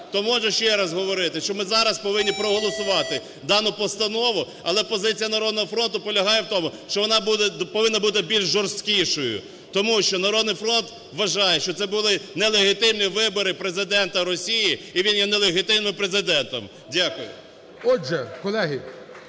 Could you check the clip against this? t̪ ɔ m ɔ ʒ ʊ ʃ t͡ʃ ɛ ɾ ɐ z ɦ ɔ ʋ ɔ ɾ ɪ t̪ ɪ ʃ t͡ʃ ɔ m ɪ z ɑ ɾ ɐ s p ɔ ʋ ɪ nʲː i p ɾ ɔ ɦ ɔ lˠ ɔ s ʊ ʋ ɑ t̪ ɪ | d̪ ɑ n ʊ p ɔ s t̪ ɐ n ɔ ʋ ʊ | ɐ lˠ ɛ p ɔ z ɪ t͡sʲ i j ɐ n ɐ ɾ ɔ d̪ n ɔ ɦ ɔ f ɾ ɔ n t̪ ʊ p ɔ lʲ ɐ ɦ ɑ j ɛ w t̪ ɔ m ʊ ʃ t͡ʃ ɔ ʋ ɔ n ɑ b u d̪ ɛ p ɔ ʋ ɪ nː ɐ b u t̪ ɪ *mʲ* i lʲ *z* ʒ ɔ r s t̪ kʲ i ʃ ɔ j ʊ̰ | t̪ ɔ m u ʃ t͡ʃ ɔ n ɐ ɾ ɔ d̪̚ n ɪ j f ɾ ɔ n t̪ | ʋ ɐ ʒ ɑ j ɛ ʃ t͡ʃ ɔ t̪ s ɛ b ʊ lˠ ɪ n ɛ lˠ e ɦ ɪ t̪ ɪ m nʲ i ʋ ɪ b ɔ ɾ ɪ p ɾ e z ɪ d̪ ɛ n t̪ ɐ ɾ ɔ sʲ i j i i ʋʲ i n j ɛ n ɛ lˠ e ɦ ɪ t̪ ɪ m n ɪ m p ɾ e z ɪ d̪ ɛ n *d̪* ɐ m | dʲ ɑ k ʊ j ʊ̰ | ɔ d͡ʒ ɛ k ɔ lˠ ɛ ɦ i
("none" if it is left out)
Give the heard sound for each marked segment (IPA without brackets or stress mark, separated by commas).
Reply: bʲ, ʒ, t̪